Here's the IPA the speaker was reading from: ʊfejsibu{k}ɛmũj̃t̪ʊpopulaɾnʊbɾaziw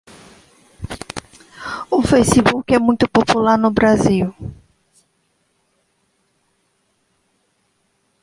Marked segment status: correct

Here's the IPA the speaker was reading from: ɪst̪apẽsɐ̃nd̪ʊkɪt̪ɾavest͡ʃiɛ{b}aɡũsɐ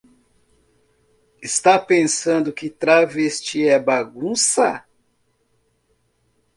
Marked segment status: correct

